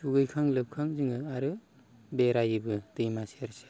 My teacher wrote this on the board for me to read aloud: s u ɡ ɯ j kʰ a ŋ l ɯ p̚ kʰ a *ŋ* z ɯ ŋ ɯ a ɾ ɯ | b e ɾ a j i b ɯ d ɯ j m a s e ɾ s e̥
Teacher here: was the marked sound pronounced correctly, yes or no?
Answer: yes